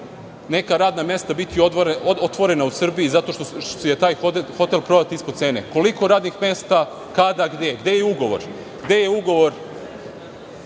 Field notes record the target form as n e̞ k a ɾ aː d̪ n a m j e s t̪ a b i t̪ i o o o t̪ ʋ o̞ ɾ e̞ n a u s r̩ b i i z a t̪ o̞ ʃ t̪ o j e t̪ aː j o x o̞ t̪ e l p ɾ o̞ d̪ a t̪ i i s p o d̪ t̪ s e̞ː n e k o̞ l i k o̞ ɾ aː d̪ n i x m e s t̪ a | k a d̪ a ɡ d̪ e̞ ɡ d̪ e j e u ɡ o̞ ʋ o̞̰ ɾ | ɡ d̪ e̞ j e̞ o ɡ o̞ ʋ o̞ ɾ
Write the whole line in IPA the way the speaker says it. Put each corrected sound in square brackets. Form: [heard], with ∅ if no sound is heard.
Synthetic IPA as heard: n e̞ k a ɾ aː d̪ n a m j e s t̪ a b i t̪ i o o o t̪ ʋ o̞ ɾ e̞ n a u s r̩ b i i z a t̪ o̞ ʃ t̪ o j e t̪ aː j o x o̞ t̪ e l p ɾ o̞ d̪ a t̪ i i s p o d̪ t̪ s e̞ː n e k o̞ l i k o̞ ɾ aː d̪ n i x m e s t̪ a | k a d̪ a ɡ d̪ e̞ ɡ d̪ e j e u ɡ o̞ ʋ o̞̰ ɾ | ɡ d̪ e̞ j e̞ [u] ɡ o̞ ʋ o̞ ɾ